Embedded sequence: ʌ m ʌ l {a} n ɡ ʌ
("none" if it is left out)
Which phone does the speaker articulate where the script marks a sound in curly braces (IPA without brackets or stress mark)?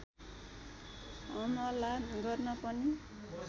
a